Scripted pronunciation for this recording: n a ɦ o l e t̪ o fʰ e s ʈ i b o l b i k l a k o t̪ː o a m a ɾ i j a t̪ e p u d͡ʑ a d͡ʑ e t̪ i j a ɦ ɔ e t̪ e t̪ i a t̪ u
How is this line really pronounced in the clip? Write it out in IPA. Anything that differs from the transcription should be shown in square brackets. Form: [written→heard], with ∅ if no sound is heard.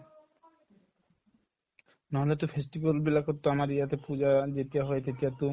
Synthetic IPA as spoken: n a ɦ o l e t̪ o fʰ e s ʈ i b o l b i [k→∅] l a k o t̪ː o a m a ɾ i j a t̪ e p u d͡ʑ a d͡ʑ e t̪ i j a ɦ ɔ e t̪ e t̪ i a t̪ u